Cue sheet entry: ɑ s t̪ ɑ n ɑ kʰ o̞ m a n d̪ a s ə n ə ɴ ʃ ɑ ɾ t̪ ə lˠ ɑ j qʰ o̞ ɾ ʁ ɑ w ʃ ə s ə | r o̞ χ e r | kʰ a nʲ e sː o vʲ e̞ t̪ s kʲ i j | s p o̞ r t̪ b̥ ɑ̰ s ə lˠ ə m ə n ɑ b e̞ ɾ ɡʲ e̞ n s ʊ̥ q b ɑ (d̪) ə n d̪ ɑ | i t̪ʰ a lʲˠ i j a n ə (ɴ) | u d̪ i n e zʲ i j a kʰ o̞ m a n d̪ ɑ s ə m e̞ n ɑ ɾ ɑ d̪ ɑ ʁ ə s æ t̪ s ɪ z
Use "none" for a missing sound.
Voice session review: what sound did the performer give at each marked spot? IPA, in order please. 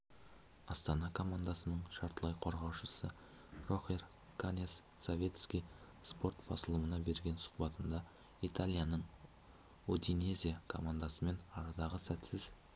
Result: t̪, ɴ

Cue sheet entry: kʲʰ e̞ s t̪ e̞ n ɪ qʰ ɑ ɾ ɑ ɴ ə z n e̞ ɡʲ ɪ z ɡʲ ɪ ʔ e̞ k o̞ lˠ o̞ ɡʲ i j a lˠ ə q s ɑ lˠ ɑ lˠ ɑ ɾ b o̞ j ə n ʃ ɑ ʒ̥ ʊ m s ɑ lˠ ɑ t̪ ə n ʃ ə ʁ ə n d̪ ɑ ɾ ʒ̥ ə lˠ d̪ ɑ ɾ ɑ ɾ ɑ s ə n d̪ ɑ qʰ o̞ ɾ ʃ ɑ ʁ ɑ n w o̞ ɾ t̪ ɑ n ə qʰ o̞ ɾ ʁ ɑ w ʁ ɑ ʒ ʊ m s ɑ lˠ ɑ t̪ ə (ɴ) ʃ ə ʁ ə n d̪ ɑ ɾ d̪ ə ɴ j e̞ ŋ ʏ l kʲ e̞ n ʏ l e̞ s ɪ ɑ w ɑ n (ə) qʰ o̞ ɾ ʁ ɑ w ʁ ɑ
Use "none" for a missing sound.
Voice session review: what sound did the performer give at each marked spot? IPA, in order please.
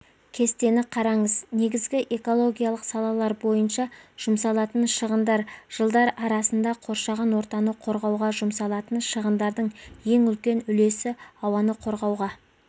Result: n, ə

